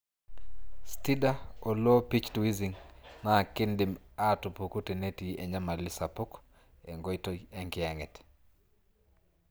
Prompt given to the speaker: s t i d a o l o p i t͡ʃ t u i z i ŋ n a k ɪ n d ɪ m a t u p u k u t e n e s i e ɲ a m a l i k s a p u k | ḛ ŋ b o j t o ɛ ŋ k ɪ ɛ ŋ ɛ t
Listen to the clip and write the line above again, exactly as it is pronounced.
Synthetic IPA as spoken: s t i d a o l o p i t͡ʃ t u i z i ŋ n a k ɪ n d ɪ m a t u p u k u t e n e t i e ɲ a m a l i s a p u k | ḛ ŋ ɡ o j t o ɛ ŋ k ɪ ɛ ŋ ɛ t